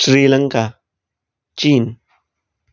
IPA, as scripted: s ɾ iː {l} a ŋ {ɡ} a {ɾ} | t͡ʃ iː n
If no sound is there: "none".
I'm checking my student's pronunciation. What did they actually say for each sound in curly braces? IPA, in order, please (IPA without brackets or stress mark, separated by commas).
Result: l, k, none